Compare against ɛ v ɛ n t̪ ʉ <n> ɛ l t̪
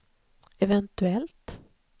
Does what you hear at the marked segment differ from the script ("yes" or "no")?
yes